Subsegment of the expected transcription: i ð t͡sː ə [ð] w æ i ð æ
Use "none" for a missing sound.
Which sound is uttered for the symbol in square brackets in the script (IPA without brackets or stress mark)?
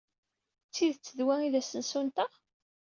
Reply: ð